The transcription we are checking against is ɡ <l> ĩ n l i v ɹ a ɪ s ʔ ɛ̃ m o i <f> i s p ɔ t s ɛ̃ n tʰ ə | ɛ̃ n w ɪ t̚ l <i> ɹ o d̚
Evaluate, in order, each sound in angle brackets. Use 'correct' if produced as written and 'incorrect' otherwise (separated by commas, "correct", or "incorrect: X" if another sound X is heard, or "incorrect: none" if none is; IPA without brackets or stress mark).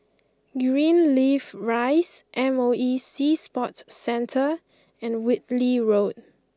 incorrect: ɹ, incorrect: s, correct